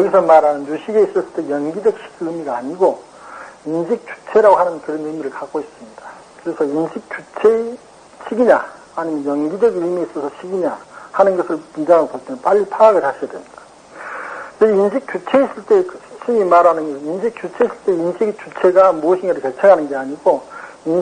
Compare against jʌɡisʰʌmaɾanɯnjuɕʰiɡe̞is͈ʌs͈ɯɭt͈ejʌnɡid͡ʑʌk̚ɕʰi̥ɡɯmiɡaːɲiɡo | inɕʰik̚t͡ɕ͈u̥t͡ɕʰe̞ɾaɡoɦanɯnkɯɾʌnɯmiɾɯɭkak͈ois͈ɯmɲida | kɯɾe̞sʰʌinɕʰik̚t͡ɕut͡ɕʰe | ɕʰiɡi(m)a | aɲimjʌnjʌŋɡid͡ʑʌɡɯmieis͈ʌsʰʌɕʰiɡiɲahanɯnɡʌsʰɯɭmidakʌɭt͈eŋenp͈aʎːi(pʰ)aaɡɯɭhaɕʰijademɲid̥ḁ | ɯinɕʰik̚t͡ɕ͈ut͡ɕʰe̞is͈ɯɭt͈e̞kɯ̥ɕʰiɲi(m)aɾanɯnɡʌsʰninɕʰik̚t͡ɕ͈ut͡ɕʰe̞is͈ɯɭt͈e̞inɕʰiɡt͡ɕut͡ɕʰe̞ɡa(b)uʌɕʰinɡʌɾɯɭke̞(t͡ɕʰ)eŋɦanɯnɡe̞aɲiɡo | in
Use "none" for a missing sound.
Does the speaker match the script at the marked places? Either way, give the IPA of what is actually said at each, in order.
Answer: ɲ, pʰ, m, m, t͡ɕʰ

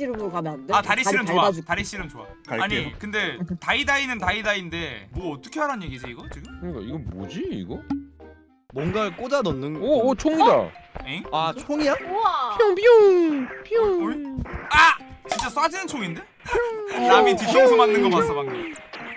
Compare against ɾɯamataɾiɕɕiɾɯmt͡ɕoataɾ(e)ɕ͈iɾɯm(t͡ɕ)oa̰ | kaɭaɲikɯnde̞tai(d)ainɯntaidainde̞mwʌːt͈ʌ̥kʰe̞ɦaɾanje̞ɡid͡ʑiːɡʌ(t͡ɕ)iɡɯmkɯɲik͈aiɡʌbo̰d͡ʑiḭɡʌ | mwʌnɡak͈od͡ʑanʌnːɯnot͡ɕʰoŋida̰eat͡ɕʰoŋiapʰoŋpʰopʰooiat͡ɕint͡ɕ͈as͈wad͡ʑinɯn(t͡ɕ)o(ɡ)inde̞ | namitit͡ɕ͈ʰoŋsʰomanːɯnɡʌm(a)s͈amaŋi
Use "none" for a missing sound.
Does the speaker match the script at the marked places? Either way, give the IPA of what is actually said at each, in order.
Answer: i, t͡ɕ, d, t͡ɕ, t͡ɕʰ, ŋ, a

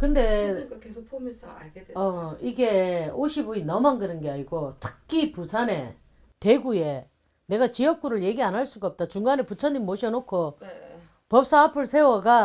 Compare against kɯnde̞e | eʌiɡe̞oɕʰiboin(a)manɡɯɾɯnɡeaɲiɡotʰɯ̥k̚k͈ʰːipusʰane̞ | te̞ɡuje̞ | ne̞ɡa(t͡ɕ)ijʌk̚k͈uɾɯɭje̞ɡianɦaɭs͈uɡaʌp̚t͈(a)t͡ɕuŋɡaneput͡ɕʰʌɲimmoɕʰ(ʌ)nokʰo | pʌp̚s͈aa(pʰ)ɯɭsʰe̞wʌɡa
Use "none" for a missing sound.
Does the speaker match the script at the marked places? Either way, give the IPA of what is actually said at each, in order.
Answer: ʌ, t͡ɕ, a, ʌ, pʰ

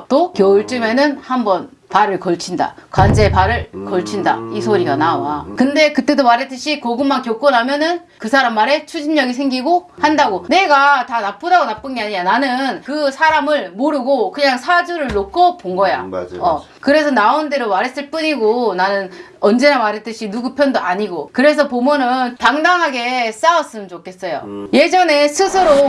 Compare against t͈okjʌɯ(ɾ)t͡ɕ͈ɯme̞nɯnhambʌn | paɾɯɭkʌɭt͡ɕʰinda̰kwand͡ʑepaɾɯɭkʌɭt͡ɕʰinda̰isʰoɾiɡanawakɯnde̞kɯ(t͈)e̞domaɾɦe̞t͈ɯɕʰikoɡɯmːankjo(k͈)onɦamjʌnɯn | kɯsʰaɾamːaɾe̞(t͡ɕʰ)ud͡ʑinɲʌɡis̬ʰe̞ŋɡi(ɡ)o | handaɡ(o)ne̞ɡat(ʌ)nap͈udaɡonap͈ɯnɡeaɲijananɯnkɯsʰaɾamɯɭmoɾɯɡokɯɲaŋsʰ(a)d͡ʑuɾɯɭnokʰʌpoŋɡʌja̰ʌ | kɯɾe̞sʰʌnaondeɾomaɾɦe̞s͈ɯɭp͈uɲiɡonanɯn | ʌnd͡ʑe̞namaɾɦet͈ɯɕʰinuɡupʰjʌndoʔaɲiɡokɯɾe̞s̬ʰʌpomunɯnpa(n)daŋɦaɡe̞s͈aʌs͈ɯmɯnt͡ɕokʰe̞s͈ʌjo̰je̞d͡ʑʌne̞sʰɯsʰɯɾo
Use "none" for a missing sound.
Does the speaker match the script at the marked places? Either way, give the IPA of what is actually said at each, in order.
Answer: ɭ, t͈, k͈, t͡ɕʰ, ɡ, o, a, a, ŋ

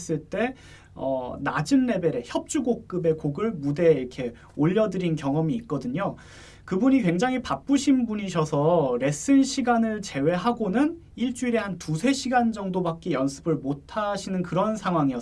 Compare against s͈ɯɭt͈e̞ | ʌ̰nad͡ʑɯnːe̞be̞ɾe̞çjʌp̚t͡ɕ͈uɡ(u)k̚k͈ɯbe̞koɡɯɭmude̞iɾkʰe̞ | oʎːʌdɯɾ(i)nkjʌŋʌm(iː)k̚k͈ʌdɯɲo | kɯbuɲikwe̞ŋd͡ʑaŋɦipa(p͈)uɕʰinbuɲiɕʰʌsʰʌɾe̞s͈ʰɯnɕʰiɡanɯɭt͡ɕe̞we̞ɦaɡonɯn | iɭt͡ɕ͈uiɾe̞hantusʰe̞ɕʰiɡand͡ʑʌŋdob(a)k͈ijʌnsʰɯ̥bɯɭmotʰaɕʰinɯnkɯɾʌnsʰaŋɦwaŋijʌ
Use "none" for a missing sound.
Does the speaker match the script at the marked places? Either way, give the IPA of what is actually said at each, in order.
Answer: o, i, iː, p͈, a

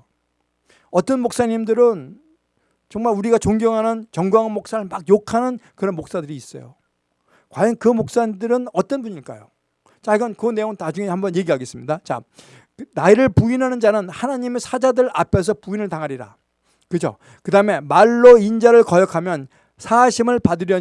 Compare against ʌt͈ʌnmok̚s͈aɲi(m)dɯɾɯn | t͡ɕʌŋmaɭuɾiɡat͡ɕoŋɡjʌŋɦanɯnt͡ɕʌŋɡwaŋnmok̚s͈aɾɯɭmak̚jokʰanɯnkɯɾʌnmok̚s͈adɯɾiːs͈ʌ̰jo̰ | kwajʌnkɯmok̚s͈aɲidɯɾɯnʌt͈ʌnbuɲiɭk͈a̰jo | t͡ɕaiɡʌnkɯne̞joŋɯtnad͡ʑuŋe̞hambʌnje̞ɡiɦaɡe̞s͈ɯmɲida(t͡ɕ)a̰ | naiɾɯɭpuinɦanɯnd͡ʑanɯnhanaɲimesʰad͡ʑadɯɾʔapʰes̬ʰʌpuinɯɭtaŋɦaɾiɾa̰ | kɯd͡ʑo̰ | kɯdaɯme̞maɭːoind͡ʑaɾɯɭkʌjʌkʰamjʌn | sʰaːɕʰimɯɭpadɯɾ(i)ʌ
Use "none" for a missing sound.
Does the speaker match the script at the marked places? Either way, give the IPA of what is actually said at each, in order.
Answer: m, t͡ɕ, j

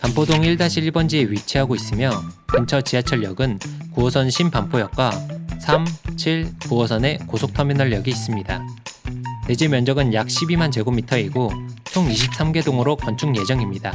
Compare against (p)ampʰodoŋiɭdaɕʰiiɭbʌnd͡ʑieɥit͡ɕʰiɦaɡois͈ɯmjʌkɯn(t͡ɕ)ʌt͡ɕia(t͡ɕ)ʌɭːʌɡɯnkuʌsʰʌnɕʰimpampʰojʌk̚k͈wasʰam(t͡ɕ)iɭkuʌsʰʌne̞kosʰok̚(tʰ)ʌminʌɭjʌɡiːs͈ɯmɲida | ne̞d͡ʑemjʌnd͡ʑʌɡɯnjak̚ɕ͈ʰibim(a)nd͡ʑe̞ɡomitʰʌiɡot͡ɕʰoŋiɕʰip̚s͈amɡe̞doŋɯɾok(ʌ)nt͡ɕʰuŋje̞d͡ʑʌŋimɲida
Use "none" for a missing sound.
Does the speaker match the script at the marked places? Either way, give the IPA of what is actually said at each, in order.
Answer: p, t͡ɕʰ, t͡ɕʰ, t͡ɕʰ, tʰ, a, ʌ

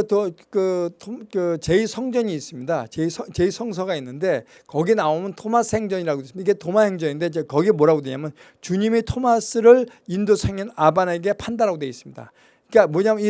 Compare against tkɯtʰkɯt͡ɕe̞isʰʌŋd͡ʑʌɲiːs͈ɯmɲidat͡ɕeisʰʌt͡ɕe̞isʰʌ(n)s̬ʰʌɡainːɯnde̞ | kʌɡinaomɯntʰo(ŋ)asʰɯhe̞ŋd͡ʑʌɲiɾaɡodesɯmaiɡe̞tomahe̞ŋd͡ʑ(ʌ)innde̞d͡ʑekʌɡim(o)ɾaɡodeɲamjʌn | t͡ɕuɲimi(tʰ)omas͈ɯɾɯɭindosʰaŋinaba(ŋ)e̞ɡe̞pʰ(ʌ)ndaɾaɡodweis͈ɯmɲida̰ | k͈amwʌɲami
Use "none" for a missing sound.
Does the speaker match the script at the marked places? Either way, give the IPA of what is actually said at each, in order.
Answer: ŋ, m, ʌ, o, tʰ, n, a

